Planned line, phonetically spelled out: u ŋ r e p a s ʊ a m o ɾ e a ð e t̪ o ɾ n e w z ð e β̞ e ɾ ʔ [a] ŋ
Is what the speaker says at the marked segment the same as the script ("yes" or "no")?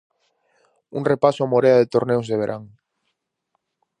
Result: yes